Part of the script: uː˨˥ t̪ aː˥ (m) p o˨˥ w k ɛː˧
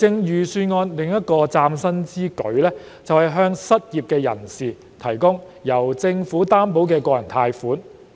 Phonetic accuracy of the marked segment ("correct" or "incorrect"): correct